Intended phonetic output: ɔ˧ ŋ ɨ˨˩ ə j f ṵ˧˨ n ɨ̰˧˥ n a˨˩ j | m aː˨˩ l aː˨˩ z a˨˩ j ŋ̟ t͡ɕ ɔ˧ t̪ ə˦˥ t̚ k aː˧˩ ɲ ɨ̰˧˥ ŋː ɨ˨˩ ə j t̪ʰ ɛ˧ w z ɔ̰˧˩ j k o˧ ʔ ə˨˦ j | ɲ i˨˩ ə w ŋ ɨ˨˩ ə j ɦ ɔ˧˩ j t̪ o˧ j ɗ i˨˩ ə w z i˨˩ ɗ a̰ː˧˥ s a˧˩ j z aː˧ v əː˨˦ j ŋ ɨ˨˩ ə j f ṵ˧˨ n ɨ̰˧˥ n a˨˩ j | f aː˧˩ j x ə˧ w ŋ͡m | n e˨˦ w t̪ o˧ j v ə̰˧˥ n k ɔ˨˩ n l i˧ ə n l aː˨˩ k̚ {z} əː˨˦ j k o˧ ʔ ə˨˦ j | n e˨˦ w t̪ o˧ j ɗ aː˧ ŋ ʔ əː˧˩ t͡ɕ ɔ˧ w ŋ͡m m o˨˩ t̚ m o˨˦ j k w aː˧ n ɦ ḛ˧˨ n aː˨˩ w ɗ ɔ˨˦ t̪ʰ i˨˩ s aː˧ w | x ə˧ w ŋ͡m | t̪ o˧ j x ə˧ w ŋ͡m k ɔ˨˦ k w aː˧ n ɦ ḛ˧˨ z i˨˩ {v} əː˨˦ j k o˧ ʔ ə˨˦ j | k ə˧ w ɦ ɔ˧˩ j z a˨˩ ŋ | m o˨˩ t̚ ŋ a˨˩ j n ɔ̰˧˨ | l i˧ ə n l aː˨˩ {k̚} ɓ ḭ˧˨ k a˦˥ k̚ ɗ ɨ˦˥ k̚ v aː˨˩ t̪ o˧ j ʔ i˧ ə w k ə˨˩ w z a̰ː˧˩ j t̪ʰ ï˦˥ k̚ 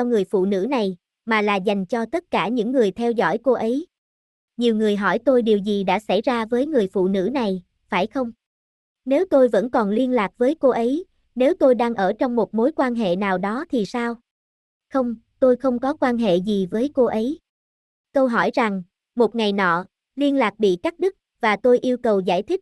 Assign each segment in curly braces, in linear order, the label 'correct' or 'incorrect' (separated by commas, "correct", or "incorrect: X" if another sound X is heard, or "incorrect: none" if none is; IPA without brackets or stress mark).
incorrect: v, correct, correct